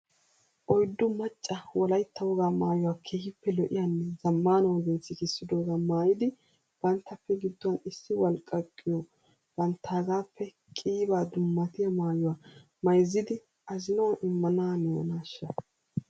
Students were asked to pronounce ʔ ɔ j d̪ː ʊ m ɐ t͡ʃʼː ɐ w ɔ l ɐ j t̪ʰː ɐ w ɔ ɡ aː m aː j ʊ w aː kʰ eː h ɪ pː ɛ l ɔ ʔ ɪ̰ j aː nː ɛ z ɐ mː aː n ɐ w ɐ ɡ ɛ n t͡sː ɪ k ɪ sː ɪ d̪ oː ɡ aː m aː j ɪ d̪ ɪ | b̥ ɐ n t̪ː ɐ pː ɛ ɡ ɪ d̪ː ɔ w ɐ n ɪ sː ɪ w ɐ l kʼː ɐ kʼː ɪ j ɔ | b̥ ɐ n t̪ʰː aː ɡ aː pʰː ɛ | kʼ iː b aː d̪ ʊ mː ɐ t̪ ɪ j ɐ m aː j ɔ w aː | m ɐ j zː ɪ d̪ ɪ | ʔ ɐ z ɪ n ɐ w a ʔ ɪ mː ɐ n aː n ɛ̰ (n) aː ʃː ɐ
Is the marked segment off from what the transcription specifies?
no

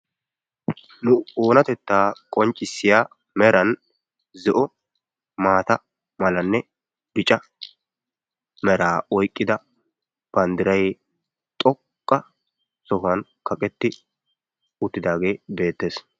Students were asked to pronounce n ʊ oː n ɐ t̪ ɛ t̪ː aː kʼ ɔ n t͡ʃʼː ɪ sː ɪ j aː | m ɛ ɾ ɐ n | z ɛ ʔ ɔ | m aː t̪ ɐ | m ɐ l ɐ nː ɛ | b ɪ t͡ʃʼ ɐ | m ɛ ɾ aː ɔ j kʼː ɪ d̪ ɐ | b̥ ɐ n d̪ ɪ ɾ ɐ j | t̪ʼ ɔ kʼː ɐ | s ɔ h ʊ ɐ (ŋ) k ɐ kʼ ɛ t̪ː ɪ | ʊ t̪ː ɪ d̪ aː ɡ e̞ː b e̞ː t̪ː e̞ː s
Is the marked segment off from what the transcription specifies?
yes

